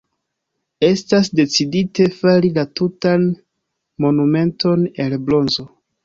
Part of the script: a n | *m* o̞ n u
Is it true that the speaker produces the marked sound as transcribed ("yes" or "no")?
yes